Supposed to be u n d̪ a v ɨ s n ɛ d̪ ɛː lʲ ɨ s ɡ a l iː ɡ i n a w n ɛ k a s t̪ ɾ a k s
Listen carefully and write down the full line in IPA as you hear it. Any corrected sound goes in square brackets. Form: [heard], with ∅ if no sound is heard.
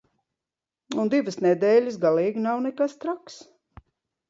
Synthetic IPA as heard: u n d̪ [i] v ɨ s n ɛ d̪ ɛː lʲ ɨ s ɡ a l iː ɡ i n a w n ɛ k a s t̪ ɾ a k s